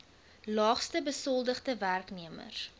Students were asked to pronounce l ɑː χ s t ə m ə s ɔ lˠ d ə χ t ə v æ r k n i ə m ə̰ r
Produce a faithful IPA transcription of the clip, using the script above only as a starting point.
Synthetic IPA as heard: l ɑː χ s t ə b ə s ɔ lˠ d ə χ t ə v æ r k n i ə m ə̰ r